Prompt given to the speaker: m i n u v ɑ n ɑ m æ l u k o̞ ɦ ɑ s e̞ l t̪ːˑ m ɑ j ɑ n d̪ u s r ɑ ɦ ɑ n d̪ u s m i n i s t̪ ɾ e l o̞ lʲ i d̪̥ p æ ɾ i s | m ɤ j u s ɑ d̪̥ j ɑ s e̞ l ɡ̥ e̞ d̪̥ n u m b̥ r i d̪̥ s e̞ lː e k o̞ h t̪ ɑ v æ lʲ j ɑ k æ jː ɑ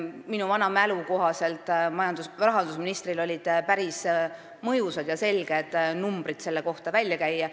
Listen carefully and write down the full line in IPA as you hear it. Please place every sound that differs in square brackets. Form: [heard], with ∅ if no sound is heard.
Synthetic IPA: m i n u v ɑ n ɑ m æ l u k o̞ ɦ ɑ s e̞ l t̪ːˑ m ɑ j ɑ n d̪ u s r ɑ ɦ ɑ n d̪ u s m i n i s t̪ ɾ [i] l o̞ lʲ i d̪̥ p æ ɾ i s | m ɤ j u s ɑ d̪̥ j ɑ s e̞ l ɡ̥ e̞ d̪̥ n u m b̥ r i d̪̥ s e̞ lː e k o̞ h t̪ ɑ v æ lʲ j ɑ k æ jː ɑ